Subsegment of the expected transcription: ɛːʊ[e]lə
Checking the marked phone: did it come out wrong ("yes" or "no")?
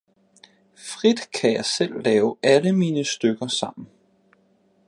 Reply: yes